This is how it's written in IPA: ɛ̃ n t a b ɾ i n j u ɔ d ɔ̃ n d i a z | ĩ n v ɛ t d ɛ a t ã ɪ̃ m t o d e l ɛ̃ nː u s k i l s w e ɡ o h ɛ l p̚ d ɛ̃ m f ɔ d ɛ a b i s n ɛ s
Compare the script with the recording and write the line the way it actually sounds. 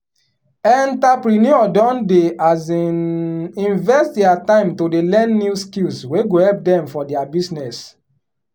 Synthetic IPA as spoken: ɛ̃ n t a p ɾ i n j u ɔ d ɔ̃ n d e a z | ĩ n v ɛ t d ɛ a t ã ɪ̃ m t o d e l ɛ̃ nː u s k i l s w e ɡ o h ɛ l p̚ d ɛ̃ m f ɔ d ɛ a b i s n ɛ s